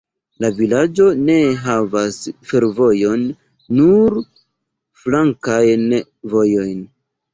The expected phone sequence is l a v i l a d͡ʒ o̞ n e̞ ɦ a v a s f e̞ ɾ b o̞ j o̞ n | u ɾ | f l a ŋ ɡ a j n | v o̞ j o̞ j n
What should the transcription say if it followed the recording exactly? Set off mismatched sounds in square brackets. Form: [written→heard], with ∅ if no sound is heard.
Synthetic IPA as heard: l a v i l a d͡ʒ o̞ n e̞ ɦ a v a s f e̞ ɾ [b→v] o̞ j o̞ [n→nː] | u ɾ | f l a ŋ [ɡ→k] a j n | v o̞ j o̞ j n